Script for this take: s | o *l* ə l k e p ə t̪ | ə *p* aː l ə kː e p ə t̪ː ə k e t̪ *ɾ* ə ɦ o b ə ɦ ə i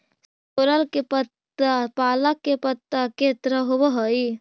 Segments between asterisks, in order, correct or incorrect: incorrect, correct, correct

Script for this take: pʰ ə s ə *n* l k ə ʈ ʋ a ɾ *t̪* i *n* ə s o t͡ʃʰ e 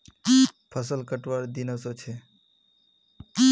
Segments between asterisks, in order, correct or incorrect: incorrect, incorrect, correct

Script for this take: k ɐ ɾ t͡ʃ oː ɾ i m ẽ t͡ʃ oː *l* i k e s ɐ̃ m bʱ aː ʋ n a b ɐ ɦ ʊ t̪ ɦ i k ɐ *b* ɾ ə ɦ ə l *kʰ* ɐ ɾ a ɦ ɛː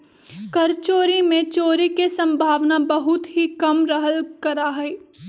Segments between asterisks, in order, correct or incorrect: incorrect, incorrect, incorrect

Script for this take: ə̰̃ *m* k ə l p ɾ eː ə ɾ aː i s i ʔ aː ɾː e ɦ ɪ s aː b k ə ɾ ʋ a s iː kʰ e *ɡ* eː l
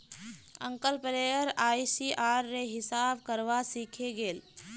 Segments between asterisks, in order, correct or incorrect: incorrect, correct

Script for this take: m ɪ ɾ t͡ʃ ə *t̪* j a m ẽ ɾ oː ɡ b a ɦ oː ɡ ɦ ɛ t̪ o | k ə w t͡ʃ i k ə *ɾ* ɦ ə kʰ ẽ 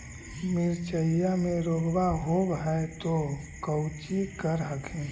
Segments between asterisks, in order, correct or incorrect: incorrect, correct

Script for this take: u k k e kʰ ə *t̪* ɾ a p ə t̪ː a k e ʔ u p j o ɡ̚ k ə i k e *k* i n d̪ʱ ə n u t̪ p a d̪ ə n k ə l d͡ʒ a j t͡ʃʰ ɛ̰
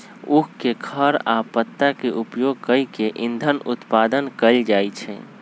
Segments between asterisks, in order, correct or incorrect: incorrect, incorrect

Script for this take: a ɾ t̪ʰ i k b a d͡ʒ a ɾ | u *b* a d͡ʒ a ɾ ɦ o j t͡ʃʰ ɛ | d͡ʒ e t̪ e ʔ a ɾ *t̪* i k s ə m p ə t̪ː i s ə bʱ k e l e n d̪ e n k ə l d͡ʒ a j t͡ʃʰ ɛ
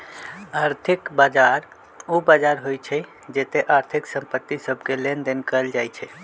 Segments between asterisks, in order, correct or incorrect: correct, incorrect

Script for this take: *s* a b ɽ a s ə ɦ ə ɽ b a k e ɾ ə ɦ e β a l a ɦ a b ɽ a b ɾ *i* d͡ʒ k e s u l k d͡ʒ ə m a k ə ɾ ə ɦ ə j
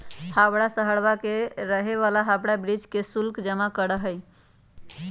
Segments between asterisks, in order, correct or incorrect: incorrect, correct

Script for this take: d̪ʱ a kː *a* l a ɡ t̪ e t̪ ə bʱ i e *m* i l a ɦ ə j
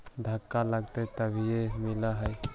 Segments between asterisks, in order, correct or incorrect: correct, correct

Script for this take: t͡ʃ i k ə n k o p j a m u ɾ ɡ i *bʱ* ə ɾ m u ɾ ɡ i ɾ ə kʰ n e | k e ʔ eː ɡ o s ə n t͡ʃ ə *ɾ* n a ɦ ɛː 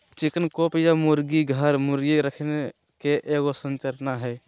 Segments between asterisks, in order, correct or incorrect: incorrect, correct

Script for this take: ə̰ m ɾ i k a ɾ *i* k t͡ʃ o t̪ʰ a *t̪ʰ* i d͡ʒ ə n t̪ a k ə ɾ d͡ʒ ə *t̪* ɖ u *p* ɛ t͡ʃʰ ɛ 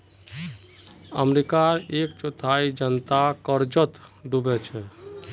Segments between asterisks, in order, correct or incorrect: incorrect, incorrect, correct, incorrect

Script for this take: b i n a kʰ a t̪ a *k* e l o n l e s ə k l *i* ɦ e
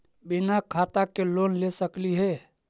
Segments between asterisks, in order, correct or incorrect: correct, correct

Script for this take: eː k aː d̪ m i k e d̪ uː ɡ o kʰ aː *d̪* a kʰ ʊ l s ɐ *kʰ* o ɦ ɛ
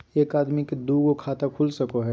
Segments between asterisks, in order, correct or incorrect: incorrect, incorrect

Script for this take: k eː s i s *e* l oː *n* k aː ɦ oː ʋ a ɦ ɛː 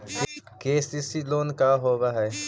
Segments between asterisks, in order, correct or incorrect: incorrect, correct

